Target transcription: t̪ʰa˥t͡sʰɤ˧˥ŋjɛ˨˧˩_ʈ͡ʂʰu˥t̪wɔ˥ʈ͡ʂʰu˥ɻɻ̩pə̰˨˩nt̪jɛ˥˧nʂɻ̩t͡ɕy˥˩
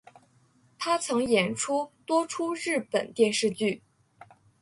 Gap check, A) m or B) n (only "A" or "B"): B